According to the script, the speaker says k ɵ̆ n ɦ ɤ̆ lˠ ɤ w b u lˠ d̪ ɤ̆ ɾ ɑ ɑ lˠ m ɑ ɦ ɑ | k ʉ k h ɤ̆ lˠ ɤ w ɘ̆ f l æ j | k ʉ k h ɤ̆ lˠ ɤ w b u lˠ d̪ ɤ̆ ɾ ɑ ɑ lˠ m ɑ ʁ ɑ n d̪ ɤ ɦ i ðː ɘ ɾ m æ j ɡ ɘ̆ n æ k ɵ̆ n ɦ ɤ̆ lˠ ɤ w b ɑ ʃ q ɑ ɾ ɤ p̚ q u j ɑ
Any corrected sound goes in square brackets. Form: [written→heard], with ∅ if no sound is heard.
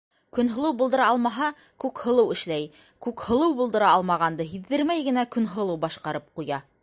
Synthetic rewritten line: k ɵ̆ n ɦ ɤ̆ lˠ ɤ w b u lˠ d̪ ɤ̆ ɾ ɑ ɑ lˠ m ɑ ɦ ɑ | k ʉ k h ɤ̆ lˠ ɤ w ɘ̆ [f→ʃ] l æ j | k ʉ k h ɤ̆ lˠ ɤ w b u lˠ d̪ ɤ̆ ɾ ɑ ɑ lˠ m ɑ ʁ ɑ n d̪ ɤ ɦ i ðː ɘ ɾ m æ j ɡ ɘ̆ n æ k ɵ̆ n ɦ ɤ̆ lˠ ɤ w b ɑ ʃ q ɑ ɾ ɤ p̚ q u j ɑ